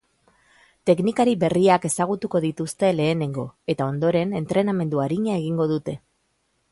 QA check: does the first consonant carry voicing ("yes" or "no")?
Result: no